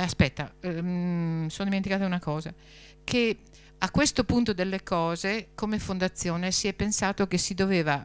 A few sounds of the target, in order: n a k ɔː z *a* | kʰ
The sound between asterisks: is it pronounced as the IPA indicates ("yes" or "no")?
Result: yes